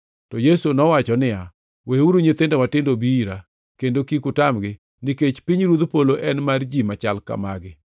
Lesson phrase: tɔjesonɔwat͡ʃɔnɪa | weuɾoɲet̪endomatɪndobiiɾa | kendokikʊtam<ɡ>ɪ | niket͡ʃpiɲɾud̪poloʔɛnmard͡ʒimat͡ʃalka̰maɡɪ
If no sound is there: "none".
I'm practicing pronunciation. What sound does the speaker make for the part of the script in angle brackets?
ɡ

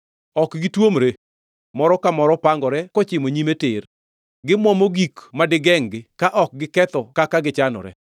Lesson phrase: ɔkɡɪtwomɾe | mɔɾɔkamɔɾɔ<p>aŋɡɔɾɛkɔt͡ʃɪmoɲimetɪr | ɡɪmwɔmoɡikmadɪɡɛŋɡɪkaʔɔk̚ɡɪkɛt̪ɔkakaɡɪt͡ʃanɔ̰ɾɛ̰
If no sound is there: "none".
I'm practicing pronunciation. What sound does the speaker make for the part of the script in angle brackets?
p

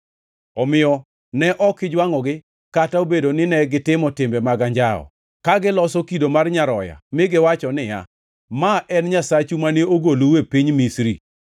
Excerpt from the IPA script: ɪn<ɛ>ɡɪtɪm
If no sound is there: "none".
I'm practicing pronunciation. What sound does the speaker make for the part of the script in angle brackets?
ɛ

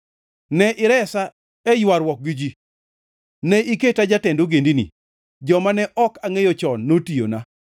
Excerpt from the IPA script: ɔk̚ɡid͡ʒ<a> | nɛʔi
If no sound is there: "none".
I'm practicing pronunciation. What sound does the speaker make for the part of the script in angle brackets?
i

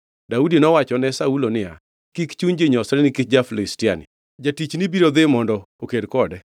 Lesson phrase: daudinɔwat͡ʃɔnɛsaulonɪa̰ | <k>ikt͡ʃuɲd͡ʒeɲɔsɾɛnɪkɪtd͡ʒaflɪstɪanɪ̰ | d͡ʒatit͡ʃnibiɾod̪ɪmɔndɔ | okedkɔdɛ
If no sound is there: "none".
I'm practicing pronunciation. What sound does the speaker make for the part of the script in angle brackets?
k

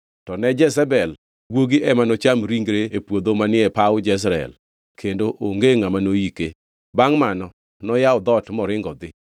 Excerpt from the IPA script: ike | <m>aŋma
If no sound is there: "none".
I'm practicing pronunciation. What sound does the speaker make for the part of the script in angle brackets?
b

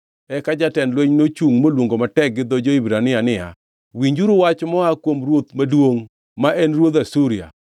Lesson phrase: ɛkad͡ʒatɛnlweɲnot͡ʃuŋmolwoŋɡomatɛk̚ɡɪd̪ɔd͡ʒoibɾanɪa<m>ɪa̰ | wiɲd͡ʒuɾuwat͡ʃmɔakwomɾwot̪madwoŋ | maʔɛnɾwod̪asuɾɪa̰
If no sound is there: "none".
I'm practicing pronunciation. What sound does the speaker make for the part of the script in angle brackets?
n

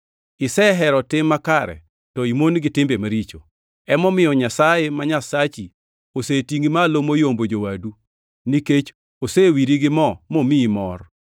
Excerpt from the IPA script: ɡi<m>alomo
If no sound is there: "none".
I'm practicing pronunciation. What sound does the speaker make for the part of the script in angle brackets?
m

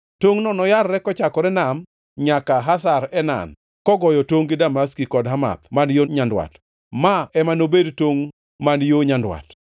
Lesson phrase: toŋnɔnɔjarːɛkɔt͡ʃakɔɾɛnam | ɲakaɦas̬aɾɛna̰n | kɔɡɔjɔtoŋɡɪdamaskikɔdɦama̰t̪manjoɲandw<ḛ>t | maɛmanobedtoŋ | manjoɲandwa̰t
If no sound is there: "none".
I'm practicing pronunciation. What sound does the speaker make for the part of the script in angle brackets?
a̰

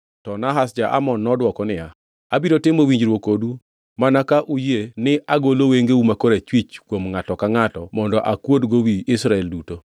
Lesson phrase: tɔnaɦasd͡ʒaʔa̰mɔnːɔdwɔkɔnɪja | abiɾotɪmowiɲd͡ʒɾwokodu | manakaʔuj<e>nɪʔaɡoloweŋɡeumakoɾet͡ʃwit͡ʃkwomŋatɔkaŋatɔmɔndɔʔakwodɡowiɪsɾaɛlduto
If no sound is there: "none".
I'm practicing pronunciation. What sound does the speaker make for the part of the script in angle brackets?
e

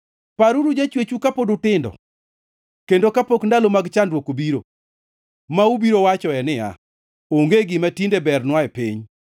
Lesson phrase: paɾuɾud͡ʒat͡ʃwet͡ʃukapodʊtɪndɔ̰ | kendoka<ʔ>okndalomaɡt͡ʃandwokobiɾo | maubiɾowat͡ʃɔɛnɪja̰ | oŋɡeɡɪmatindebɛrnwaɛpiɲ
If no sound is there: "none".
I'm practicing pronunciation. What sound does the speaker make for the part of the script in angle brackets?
p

